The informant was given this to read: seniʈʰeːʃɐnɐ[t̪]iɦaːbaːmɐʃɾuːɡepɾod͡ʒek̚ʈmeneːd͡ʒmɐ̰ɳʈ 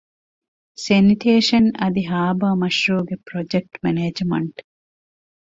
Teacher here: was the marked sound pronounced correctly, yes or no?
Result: no